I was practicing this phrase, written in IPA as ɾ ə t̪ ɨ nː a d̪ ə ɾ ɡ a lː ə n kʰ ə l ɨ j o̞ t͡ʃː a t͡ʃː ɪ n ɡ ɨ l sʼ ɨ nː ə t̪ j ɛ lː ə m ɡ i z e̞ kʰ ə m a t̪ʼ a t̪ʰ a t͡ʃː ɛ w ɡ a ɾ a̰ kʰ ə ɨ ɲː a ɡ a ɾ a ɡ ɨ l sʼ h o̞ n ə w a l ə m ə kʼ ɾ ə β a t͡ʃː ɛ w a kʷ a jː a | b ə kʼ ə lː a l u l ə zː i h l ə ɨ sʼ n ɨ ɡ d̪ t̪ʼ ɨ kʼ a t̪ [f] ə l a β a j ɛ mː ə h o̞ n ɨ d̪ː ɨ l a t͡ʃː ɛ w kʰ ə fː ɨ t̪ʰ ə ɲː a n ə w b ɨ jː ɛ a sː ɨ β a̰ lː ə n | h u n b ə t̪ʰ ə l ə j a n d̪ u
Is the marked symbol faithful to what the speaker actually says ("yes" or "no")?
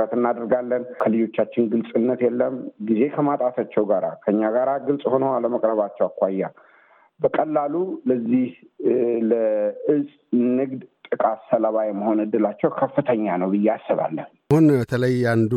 no